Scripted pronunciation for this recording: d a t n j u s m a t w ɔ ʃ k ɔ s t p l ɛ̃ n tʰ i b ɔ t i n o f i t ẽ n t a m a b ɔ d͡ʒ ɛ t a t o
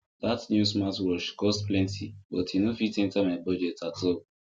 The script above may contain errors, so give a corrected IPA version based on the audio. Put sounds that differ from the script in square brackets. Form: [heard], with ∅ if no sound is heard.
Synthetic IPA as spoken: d a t n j u s m a t w ɔ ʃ k ɔ s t p l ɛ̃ n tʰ i b ɔ t i n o f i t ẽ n t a m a b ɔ d͡ʒ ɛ t a t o